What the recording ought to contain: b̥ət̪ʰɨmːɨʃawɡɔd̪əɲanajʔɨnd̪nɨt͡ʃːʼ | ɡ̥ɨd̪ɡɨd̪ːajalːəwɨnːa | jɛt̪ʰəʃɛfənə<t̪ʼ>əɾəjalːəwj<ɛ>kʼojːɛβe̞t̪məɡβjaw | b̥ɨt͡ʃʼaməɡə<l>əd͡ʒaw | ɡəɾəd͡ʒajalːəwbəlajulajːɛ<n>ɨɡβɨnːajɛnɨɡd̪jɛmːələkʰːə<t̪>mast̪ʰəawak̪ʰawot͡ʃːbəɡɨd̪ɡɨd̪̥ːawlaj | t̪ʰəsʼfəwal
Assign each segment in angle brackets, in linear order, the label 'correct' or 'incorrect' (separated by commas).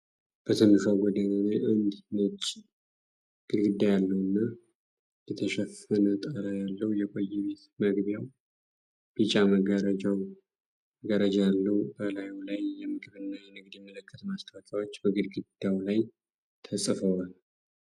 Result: correct, correct, incorrect, incorrect, correct